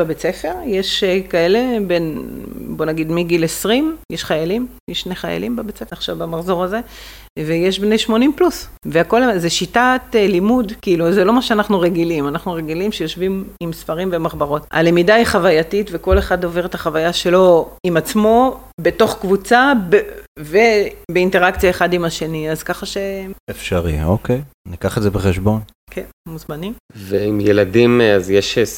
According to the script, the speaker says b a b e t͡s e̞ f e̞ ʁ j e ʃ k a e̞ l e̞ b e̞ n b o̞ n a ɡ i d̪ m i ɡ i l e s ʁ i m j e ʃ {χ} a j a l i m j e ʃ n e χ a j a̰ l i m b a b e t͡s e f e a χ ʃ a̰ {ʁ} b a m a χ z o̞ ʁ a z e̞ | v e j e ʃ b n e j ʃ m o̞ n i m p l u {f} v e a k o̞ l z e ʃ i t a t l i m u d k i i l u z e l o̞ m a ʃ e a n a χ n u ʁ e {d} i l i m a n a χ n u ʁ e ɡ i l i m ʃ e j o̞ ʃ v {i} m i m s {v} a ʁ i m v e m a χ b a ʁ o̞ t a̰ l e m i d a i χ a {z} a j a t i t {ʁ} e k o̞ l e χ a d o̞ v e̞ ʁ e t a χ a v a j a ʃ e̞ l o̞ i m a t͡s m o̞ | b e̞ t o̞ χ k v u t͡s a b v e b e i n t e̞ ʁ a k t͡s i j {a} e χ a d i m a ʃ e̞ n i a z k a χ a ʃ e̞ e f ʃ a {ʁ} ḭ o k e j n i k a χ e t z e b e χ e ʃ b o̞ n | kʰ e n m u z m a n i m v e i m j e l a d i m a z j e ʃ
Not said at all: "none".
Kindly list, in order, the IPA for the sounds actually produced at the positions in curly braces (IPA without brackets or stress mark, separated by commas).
χ, v, s, ɡ, i, f, v, v, a, ʁ